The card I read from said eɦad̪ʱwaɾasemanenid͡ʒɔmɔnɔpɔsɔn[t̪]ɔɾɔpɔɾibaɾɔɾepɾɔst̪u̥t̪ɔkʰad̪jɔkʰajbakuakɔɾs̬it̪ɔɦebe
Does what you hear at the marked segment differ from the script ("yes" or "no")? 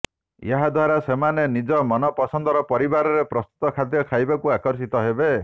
yes